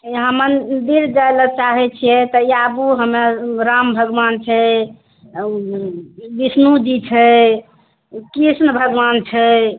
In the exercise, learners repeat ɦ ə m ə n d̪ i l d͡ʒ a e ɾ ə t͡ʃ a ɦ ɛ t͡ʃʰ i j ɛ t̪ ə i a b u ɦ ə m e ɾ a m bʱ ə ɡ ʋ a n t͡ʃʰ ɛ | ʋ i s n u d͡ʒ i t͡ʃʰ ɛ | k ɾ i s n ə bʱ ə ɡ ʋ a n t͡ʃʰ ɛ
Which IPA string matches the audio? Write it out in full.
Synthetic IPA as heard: ɦ ə m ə n d̪ i ɾ d͡ʒ a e l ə t͡ʃ a ɦ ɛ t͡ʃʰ i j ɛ t̪ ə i a b u ɦ ə m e ɾ a m bʱ ə ɡ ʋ a n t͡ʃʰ ɛ | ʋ i s n u d͡ʒ i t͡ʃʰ ɛ | k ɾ i s n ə bʱ ə ɡ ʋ a n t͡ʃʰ ɛ